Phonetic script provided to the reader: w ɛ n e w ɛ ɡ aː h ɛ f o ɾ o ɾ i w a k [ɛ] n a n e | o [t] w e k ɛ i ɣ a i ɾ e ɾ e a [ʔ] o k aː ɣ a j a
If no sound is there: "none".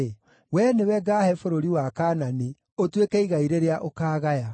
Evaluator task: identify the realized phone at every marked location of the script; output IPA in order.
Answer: a, t, ʔ

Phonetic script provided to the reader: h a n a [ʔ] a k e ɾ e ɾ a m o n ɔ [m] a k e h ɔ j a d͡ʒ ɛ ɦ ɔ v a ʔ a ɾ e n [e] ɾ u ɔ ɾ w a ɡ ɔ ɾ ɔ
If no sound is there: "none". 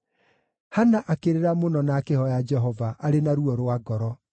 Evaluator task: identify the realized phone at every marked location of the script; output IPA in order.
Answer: ʔ, n, a

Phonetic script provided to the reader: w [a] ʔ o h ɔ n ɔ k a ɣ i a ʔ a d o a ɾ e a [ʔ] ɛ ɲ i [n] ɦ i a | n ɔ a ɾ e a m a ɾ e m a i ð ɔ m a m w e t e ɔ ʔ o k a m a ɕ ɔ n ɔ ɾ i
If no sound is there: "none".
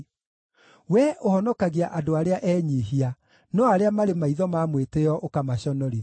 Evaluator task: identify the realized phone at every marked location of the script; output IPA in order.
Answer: ɛ, ʔ, none

